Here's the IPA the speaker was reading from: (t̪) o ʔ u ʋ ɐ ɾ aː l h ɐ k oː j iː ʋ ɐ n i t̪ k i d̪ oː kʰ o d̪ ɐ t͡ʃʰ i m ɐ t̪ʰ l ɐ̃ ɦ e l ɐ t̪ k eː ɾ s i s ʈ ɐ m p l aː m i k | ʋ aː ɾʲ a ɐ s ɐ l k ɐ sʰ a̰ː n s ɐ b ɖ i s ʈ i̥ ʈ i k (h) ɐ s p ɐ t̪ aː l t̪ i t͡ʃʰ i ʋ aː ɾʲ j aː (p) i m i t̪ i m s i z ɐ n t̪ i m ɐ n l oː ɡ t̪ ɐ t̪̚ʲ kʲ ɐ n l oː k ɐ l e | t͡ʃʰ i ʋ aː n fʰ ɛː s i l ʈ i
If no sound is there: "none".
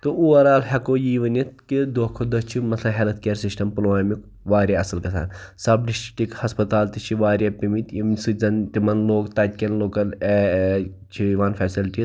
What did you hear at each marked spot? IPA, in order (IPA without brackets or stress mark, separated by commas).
t̪, h, p